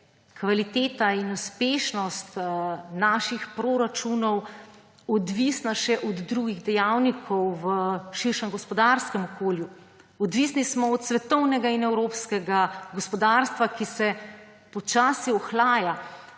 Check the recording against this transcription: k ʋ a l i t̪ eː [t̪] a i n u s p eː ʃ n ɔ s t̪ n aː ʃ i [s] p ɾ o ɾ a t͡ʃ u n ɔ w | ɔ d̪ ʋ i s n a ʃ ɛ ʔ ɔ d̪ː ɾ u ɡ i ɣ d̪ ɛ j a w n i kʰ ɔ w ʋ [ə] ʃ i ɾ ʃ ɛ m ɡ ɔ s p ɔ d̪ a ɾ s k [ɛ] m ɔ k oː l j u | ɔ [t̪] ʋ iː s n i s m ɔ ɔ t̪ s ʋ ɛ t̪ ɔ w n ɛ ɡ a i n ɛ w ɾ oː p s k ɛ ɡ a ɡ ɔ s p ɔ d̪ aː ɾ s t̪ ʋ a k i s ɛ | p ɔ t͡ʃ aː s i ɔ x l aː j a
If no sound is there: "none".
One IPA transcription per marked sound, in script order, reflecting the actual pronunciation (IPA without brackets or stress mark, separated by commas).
t̪, x, ə, ɛ, d̪